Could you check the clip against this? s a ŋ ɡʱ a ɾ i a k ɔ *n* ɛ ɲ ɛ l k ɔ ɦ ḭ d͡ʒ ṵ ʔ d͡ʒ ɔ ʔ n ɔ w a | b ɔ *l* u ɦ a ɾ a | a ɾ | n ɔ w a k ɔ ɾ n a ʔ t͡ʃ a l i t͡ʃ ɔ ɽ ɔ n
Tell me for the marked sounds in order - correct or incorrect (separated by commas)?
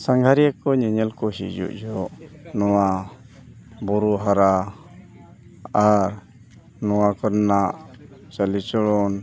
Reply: incorrect, incorrect